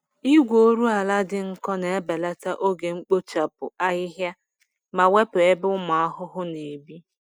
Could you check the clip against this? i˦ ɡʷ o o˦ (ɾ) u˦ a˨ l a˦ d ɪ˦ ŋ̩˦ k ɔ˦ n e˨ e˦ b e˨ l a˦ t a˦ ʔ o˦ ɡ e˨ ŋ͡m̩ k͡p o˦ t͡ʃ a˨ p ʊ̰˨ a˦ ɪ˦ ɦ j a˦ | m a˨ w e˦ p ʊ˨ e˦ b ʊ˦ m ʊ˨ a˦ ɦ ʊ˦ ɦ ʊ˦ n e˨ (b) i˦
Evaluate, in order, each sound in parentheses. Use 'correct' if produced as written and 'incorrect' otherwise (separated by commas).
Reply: correct, correct